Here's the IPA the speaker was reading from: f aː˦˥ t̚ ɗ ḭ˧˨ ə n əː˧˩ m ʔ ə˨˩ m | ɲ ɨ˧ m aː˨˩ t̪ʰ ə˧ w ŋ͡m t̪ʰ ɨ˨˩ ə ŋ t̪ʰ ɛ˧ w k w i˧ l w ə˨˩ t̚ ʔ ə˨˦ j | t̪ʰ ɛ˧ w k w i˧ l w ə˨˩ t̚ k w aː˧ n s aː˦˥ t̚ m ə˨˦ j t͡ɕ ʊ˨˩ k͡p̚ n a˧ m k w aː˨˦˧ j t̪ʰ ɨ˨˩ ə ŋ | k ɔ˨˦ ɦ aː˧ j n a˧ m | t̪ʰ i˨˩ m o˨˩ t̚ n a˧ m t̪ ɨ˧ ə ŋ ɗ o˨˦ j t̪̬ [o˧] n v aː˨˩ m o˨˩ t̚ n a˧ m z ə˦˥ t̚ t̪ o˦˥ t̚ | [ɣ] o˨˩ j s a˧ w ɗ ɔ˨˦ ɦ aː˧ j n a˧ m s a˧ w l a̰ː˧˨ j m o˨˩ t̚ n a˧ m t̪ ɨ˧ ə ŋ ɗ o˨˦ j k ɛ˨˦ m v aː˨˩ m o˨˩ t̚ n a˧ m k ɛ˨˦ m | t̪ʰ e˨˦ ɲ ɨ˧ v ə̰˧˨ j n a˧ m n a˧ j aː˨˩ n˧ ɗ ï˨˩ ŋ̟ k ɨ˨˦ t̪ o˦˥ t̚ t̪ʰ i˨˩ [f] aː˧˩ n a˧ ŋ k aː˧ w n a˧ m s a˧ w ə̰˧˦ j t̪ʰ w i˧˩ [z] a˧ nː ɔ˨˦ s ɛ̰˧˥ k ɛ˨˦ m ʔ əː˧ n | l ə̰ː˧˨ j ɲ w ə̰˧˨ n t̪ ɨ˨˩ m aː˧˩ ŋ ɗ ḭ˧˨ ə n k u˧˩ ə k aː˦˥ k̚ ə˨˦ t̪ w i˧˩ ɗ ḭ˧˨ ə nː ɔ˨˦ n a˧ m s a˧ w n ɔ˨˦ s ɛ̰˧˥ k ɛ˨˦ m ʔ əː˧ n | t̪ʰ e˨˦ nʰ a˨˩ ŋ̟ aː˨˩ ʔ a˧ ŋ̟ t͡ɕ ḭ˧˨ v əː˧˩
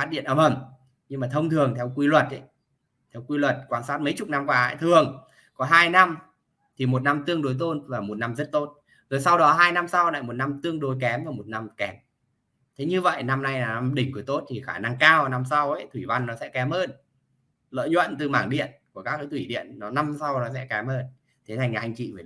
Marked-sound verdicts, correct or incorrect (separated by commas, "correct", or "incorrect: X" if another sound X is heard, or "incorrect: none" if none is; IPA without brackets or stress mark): correct, incorrect: z, incorrect: x, incorrect: v